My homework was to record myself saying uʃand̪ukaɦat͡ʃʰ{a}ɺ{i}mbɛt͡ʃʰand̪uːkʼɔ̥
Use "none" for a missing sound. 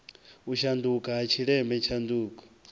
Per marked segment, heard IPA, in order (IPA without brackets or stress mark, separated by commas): i, ɛ